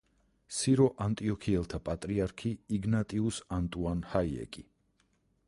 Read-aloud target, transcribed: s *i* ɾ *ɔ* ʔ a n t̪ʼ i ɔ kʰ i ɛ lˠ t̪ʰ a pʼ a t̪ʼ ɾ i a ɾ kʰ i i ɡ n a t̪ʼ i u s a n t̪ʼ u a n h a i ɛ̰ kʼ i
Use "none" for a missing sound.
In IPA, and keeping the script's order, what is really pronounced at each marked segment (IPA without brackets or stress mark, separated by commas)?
i, ɔ